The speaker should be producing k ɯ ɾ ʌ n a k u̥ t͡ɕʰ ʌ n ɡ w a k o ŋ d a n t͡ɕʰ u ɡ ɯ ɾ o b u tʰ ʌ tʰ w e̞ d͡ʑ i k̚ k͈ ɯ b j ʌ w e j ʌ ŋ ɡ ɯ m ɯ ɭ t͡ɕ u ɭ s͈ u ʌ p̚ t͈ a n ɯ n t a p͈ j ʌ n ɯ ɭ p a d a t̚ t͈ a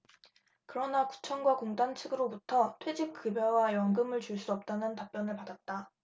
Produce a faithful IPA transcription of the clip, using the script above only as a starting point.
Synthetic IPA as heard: k ɯ ɾ ʌ n a k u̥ t͡ɕʰ ʌ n ɡ w a k o ŋ d a n t͡ɕʰ ɯ ɡ ɯ ɾ o b u tʰ ʌ tʰ w e̞ d͡ʑ i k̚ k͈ ɯ b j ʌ w a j ʌ ŋ ɡ ɯ m ɯ ɭ t͡ɕ u ɭ s͈ u ʌ p̚ t͈ a n ɯ n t a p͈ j ʌ n ɯ ɭ p a d a t̚ t͈ a